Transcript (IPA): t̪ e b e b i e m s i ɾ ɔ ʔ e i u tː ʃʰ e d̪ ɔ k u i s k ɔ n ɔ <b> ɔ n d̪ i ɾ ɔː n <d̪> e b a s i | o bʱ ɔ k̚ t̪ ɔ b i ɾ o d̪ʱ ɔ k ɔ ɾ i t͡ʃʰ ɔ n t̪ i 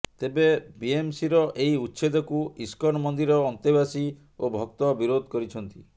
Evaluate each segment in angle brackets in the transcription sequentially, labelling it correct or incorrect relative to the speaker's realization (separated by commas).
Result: incorrect, incorrect